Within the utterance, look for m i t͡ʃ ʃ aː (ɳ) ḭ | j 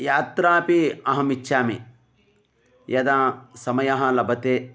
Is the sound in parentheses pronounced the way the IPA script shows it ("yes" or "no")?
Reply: no